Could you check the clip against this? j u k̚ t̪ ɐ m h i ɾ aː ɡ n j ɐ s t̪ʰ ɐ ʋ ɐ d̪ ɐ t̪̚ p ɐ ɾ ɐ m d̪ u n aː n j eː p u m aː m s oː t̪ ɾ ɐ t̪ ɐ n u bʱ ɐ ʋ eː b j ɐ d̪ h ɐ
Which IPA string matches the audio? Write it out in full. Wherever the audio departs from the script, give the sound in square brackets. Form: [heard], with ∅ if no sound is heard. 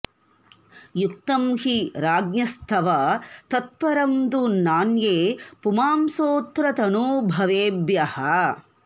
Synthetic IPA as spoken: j u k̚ t̪ ɐ m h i ɾ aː ɡ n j ɐ s t̪ʰ ɐ ʋ ɐ [t̪] ɐ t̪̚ p ɐ ɾ ɐ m d̪ u n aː n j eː p u m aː m s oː t̪ ɾ ɐ t̪ ɐ n u bʱ ɐ ʋ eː b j ɐ [∅] h ɐ